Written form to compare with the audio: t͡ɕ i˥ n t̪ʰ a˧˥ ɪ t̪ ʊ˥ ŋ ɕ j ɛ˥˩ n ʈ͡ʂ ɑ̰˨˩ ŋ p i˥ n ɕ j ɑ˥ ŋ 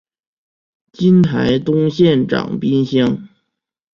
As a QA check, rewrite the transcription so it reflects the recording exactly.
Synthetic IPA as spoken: t͡ɕ i˥ n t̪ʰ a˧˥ ɪ t̪ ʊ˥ ŋ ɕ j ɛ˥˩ n ʈ͡ʂ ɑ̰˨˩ ŋ p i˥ n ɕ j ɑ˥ ŋ

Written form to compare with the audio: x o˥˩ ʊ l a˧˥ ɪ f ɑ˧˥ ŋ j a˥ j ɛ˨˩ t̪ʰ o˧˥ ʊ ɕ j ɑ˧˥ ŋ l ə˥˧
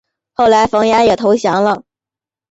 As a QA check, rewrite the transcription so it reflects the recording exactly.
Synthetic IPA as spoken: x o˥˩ ʊ l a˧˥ ɪ f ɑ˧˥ ŋ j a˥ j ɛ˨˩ t̪ʰ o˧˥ ʊ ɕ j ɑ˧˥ ŋ l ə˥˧

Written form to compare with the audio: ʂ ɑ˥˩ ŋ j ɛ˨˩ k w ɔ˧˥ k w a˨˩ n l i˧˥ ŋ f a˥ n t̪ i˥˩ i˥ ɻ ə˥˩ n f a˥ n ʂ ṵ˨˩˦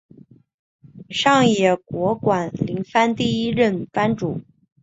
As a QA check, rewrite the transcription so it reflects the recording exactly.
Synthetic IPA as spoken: ʂ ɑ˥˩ ŋ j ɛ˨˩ k w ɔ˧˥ k w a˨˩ n l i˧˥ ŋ f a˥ n t̪ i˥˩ i˥ ɻ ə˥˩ n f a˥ n ʈ͡ʂ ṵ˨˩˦

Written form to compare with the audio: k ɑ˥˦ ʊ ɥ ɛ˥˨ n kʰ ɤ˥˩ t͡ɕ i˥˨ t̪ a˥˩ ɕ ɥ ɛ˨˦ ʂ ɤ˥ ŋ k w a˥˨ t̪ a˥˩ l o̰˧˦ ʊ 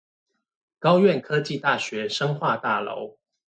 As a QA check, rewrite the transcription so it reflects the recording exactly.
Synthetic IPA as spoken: k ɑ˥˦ ʊ ɥ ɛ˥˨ n kʰ ɤ˦ t͡ɕ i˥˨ t̪ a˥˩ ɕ ɥ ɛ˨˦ ʂ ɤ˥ ŋ x w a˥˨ t̪ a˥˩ l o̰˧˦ ʊ

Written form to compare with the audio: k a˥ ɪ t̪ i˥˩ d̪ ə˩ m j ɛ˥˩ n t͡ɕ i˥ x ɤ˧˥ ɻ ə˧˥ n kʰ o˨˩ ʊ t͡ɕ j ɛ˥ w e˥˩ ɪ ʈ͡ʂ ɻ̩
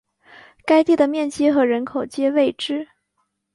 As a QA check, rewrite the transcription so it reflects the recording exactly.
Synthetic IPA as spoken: k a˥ ɪ t̪ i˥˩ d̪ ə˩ m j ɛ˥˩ n t͡ɕ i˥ x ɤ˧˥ ɻ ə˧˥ n kʰ o˨˩ ʊ t͡ɕ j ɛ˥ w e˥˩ ɪ ʈ͡ʂ ɻ̩

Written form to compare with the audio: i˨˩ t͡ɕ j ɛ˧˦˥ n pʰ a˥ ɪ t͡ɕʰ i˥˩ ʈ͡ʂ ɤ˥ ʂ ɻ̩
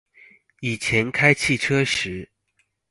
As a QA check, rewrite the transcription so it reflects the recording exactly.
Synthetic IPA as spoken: i˨˩ t͡ɕʰ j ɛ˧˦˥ n kʰ a˥ ɪ t͡ɕʰ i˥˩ ʈ͡ʂʰ ɤ˥ ʂ ɻ̩

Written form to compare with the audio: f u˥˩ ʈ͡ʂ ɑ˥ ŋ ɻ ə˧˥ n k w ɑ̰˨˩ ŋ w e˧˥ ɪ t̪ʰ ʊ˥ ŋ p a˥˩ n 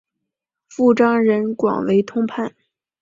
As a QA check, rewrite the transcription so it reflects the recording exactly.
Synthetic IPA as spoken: f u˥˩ ʈ͡ʂ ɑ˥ ŋ ɻ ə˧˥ n k w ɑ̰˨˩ ŋ w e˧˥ ɪ t̪ʰ ʊ˥ ŋ pʰ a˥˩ n

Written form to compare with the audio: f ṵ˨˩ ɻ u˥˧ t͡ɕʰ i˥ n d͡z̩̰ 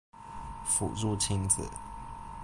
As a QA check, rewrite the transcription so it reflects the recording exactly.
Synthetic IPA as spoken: f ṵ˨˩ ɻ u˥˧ t͡ɕʰ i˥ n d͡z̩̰

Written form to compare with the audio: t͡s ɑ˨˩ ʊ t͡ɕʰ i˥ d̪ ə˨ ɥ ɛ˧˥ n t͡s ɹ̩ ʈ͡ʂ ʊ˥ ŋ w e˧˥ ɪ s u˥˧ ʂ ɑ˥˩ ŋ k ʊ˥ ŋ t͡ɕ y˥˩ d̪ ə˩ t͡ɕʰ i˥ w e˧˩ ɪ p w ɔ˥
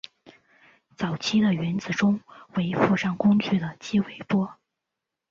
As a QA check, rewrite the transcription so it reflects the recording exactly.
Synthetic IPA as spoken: t͡s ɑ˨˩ ʊ t͡ɕʰ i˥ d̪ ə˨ ɥ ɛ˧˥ n t͡s ɹ̩ ʈ͡ʂ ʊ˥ ŋ w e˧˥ ɪ f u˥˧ ʂ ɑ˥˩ ŋ k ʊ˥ ŋ t͡ɕ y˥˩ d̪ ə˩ t͡ɕ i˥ w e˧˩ ɪ p w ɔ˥

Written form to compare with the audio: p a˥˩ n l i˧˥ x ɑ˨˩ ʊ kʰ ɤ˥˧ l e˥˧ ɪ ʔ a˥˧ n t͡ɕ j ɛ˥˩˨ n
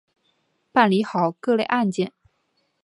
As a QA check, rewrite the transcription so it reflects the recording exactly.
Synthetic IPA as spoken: p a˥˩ n l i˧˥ x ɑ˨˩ ʊ k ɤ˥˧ l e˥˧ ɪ ʔ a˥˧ n t͡ɕ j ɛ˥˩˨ n

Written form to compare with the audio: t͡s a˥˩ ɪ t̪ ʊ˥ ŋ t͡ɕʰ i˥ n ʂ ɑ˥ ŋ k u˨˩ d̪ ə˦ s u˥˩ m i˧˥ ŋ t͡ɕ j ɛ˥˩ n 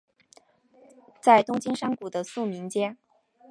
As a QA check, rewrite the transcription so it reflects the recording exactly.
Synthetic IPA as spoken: t͡s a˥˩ ɪ t̪ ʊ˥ ŋ t͡ɕ i˥ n ʂ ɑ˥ ŋ k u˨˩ d̪ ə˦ s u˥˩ m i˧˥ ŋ t͡ɕ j ɛ˥ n

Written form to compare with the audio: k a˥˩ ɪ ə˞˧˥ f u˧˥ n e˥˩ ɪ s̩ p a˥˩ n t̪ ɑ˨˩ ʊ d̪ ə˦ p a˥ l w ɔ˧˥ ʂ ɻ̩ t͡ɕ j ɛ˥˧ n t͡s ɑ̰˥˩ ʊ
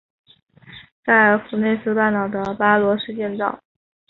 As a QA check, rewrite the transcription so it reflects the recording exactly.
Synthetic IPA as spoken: k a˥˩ ɪ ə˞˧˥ f u˨˩ n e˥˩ ɪ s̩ p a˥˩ n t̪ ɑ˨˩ ʊ d̪ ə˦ p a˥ l w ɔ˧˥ ʂ ɻ̩ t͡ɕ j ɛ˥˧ n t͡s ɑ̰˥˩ ʊ

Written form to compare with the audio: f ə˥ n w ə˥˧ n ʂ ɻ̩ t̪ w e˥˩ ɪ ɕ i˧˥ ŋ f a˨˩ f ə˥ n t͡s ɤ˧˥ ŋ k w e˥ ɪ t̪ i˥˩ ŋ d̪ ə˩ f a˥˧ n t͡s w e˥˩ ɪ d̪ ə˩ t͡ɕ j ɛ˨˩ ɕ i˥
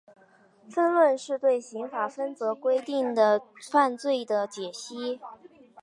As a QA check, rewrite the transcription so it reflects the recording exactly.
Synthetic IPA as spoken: f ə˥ n w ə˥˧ n ʂ ɻ̩ t̪ w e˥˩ ɪ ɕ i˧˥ ŋ f a˨˩ f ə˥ n t͡s ɤ˧˥ k w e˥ ɪ t̪ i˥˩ ŋ d̪ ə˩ f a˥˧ n t͡s w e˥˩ ɪ d̪ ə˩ t͡ɕ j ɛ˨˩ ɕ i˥

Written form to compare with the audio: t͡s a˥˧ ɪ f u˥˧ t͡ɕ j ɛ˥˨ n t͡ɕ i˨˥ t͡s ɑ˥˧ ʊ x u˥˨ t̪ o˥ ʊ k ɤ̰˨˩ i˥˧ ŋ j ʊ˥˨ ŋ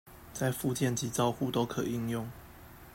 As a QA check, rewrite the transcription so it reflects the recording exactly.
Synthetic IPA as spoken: t͡s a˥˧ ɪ f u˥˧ t͡ɕ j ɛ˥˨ n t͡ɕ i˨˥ t͡s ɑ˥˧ ʊ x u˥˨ t̪ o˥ ʊ kʰ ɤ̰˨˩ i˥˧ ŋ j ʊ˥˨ ŋ

